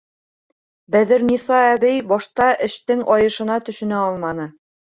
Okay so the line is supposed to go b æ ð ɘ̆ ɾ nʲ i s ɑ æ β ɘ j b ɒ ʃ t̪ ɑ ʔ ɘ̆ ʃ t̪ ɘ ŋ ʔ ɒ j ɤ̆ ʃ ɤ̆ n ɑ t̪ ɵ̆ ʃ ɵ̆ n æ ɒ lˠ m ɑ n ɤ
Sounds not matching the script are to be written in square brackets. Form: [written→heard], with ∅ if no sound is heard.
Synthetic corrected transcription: b æ ð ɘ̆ ɾ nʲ i s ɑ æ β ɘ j b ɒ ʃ t̪ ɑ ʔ ɘ̆ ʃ t̪ ɘ ŋ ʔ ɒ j ɤ̆ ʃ ɤ̆ n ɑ t̪ ɵ̆ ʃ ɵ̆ n æ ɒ lˠ m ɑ n ɤ